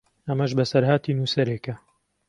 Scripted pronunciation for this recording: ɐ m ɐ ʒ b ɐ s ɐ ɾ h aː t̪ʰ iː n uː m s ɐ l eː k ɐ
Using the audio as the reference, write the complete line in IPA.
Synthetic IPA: ɐ m ɐ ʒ b ɐ s ɐ ɾ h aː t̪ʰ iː n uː s ɐ ɾ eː k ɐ